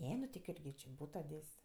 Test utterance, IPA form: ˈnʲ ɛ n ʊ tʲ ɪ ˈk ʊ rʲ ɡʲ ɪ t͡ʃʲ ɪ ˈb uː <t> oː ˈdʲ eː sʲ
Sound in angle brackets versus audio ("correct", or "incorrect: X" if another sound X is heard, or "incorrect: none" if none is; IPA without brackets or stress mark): correct